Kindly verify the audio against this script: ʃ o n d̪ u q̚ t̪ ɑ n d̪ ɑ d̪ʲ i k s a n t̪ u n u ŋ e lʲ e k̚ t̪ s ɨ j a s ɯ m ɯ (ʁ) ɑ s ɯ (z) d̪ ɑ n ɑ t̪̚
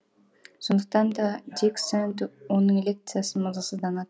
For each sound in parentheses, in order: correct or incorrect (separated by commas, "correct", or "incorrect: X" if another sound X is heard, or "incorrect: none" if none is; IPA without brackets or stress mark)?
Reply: incorrect: z, correct